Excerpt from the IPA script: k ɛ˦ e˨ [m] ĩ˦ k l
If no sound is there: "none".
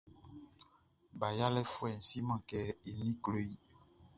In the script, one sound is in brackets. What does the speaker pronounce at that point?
n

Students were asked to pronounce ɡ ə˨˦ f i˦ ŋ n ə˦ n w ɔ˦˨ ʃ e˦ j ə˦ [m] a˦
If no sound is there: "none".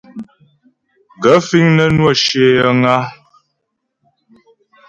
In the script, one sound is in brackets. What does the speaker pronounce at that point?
ŋ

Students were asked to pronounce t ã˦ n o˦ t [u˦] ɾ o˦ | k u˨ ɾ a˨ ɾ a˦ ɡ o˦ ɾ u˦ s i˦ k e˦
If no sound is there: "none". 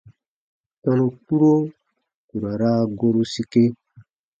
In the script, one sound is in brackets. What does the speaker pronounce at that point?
u˦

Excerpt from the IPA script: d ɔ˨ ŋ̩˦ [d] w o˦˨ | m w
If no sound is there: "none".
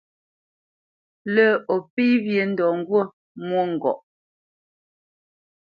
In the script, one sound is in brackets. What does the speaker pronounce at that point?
ɡ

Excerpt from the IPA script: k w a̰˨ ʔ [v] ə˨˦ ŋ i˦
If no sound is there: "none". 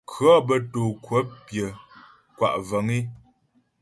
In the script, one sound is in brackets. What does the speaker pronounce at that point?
v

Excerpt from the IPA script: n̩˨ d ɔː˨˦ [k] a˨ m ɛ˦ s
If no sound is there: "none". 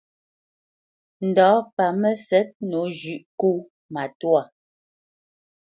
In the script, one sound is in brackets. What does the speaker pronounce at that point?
p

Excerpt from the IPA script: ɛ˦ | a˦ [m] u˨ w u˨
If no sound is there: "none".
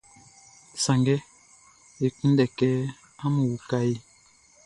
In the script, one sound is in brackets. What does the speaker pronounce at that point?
m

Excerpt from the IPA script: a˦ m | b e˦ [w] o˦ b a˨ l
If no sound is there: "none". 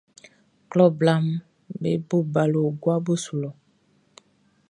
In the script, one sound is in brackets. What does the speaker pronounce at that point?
b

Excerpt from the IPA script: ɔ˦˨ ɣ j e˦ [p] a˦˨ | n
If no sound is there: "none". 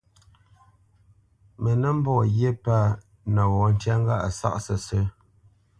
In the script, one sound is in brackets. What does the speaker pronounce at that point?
p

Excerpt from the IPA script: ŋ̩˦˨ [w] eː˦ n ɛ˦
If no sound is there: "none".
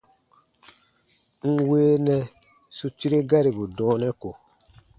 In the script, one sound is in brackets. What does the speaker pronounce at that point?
w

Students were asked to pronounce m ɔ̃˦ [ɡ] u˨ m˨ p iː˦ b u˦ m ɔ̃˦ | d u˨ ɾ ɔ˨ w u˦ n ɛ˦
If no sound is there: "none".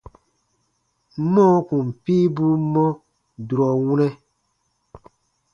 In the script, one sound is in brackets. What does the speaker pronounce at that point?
k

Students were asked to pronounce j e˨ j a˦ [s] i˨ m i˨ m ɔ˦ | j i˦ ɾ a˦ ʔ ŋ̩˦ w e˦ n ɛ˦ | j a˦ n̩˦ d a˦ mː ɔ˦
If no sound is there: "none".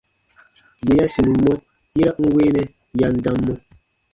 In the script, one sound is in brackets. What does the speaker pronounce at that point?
s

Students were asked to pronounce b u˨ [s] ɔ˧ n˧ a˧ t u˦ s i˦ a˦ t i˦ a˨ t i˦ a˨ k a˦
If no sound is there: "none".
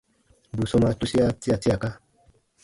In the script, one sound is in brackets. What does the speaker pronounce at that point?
s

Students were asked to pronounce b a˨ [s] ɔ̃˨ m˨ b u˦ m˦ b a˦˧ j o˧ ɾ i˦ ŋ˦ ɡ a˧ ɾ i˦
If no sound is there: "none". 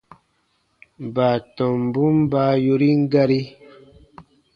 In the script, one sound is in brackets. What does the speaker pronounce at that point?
t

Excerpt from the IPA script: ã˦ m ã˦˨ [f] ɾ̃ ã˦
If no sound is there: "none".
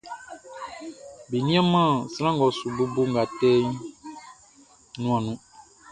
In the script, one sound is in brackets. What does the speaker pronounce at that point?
s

